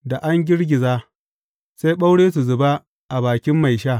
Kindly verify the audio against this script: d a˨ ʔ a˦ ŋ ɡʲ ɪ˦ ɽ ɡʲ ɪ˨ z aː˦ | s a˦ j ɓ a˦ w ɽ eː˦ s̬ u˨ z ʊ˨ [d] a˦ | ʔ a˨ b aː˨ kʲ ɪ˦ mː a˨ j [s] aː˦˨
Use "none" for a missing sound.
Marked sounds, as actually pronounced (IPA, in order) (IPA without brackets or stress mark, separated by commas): b, ʃ